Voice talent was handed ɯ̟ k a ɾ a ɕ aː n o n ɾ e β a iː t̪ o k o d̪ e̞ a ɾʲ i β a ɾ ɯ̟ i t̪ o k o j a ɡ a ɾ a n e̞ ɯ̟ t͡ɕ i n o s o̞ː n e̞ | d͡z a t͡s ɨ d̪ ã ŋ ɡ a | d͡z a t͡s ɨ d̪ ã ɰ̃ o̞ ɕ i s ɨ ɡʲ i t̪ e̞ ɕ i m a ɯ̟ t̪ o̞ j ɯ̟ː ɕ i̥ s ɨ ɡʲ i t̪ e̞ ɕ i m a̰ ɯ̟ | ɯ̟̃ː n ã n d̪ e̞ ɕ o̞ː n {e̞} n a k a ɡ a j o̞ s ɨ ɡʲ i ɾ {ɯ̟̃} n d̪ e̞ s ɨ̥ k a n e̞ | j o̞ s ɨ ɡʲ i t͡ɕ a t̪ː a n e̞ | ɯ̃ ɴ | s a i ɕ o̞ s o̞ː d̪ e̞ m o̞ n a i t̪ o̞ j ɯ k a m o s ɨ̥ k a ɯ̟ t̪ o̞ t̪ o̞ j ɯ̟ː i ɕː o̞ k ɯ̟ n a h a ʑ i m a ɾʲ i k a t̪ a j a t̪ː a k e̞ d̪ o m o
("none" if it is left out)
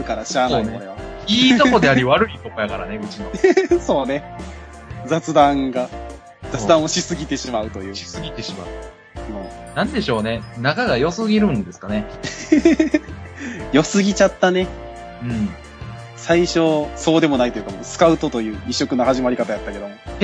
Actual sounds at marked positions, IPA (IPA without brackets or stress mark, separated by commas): e̞, ɯ̟̃